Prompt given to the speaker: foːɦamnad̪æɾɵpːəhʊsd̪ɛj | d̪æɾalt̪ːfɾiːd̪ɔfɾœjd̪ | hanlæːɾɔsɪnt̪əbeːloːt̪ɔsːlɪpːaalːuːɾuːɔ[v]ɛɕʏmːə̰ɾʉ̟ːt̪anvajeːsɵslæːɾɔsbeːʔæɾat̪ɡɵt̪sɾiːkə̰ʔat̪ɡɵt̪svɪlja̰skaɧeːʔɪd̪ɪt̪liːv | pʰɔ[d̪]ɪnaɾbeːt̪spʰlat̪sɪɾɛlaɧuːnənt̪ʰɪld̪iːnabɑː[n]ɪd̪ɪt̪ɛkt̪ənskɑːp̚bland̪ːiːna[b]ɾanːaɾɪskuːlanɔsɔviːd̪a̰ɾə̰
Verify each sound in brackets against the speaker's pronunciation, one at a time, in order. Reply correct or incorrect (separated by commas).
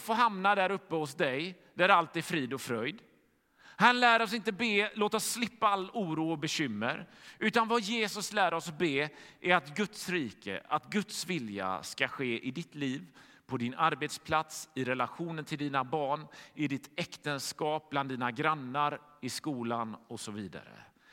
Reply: incorrect, correct, incorrect, incorrect